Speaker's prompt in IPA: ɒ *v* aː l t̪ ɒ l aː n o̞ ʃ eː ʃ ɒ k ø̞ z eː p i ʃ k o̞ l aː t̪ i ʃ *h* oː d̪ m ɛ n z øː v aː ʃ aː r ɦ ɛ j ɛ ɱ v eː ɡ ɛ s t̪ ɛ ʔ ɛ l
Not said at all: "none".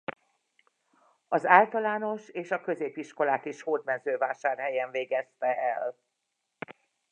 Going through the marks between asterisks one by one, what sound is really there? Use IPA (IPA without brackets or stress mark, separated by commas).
z, h